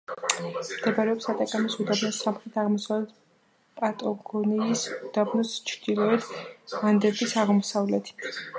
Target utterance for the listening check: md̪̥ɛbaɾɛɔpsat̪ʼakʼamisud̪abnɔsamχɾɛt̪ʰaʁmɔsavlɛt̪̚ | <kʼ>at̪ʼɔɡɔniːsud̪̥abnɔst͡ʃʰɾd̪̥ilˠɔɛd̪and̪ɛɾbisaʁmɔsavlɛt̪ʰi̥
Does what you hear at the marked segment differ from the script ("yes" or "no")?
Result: yes